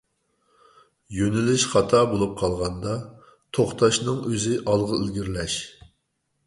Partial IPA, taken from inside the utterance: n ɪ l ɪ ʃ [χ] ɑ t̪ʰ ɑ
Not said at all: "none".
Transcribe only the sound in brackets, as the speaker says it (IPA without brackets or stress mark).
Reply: χ